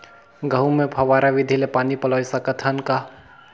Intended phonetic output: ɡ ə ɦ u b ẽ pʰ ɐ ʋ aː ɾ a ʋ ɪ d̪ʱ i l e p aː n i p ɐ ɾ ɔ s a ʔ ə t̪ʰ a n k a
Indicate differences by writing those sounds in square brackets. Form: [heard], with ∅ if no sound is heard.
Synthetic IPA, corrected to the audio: ɡ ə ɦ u [m] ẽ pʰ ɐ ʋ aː ɾ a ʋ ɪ d̪ʱ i l e p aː n i p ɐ [l] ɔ s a [k] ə t̪ʰ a n k a